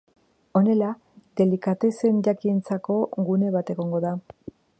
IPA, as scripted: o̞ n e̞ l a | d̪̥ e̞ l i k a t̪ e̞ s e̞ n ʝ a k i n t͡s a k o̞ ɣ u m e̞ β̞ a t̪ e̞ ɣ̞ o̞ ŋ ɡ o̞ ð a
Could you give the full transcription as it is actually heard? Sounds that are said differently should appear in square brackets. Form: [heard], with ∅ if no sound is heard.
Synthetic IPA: o̞ n e̞ l a | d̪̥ e̞ l i k a t̪ e̞ s e̞ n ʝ a k i n t͡s a k o̞ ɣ u [n] e̞ β̞ a t̪ e̞ ɣ̞ o̞ ŋ ɡ o̞ ð a